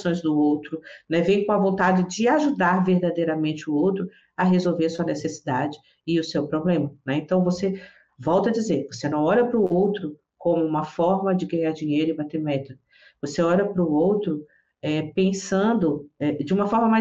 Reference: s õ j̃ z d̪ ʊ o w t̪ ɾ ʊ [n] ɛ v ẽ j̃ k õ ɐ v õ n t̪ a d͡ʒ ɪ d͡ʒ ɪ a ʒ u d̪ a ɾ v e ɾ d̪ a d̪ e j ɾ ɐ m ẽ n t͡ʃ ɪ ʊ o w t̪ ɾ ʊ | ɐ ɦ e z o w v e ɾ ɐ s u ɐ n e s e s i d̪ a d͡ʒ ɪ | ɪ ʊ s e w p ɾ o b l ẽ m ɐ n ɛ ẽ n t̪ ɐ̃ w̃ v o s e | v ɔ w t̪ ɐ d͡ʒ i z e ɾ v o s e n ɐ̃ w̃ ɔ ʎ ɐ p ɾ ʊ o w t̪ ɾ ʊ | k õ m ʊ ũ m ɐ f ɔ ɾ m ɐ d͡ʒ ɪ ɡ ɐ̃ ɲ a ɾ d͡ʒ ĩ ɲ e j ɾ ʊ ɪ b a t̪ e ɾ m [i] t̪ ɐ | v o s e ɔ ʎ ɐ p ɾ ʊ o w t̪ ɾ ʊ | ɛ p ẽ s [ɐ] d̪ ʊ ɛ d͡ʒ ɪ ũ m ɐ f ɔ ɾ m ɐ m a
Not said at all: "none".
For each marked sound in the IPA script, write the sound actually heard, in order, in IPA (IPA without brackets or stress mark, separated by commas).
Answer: n, ɛ, ɐ̃